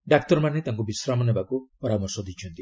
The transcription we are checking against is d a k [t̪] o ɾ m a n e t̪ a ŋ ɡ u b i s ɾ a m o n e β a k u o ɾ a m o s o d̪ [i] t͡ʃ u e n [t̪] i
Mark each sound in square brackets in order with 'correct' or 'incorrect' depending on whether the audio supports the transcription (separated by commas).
correct, correct, incorrect